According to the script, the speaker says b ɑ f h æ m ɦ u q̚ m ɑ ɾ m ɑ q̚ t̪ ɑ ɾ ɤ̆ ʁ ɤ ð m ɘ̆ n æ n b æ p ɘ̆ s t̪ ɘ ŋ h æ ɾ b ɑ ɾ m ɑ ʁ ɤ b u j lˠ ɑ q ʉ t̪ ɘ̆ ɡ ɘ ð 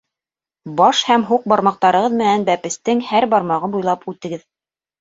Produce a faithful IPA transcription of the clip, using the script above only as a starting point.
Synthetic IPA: b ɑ ʃ h æ m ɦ u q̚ b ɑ ɾ m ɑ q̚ t̪ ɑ ɾ ɤ̆ ʁ ɤ ð m ɘ̆ n æ n b æ p ɘ̆ s t̪ ɘ ŋ h æ ɾ b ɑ ɾ m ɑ ʁ ɤ b u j lˠ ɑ p ʉ t̪ ɘ̆ ɡ ɘ ð